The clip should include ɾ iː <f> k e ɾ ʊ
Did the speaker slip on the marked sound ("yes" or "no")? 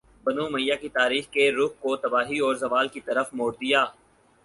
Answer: yes